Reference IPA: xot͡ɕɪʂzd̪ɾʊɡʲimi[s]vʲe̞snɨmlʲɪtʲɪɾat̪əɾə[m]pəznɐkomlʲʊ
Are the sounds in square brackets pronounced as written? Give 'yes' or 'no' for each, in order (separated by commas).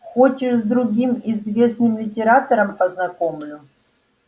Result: no, yes